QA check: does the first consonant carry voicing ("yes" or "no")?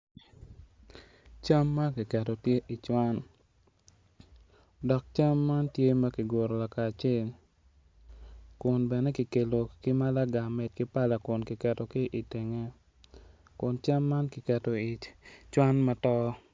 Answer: no